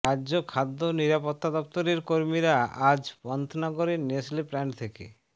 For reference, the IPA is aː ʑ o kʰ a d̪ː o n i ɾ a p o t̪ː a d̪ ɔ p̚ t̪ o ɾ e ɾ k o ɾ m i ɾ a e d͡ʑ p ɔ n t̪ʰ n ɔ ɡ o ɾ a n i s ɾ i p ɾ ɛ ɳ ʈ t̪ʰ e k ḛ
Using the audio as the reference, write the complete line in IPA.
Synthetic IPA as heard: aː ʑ o kʰ a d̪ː o n i ɾ a p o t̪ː a d̪ ɔ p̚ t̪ o ɾ e ɾ k o ɾ m i ɾ a a d͡ʑ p ɔ n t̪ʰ n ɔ ɡ o ɾ e n e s l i p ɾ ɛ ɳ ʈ t̪ʰ e k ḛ